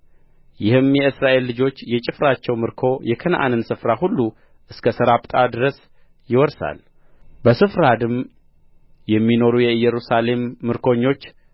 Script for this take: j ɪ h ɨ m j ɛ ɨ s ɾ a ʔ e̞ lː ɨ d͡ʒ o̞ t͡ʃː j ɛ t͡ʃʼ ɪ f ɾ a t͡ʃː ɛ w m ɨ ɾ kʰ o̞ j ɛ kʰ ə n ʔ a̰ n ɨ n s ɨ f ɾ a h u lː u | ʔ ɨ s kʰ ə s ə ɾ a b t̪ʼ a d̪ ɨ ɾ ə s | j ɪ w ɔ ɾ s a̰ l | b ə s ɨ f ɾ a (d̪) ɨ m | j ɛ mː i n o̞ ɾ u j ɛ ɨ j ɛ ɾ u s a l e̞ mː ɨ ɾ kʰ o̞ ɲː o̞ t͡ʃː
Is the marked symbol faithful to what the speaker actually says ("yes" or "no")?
yes